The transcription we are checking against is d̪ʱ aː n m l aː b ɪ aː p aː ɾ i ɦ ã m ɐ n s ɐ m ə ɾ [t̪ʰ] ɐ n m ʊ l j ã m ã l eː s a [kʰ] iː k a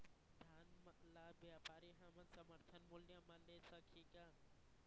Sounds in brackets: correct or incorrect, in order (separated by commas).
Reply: correct, correct